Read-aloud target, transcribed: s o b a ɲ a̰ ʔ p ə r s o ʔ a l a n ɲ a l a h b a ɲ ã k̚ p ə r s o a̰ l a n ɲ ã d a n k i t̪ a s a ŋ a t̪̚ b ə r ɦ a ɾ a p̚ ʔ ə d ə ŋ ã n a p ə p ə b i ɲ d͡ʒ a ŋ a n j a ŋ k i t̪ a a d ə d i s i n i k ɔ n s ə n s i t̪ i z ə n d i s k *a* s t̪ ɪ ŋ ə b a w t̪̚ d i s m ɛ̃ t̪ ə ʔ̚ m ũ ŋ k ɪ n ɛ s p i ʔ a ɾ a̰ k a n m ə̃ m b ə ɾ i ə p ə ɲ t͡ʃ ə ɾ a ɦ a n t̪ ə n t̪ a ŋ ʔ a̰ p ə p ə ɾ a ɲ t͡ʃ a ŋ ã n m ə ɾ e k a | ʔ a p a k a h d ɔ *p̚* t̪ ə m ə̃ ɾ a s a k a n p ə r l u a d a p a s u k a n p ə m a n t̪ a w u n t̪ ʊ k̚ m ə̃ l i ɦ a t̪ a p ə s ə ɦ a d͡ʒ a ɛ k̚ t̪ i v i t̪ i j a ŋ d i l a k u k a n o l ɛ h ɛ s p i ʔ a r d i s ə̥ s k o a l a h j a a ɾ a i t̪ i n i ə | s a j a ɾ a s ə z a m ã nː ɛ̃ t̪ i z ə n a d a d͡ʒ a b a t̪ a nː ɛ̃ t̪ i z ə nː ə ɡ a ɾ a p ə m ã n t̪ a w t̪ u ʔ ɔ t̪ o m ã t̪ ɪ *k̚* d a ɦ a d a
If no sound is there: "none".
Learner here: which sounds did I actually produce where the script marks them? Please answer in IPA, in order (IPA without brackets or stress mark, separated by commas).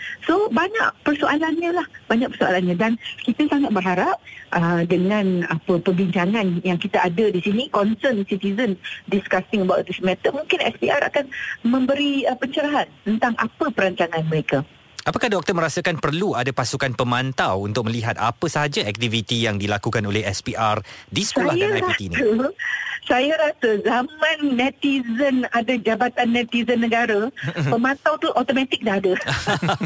a, k̚, k̚